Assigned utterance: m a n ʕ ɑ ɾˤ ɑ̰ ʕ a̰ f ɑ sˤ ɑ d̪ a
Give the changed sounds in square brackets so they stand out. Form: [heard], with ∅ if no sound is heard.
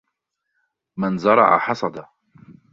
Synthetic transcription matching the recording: m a n [z] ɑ ɾˤ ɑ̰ ʕ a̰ [ħ] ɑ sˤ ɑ d̪ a